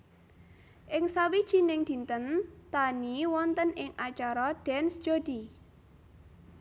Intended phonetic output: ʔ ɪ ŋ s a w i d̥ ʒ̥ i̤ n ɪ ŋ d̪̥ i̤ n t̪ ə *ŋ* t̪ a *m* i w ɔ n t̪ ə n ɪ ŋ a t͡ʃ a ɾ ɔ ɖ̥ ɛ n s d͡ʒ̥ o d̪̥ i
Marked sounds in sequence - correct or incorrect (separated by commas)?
incorrect, incorrect